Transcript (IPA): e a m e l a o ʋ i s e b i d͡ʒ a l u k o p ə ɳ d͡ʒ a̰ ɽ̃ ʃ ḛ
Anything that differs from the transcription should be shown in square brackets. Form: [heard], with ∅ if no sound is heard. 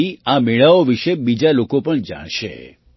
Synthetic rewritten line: [i] a m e [ɭ] a o ʋ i [ʃ] e b i d͡ʒ a l [o] k o p ə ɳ d͡ʒ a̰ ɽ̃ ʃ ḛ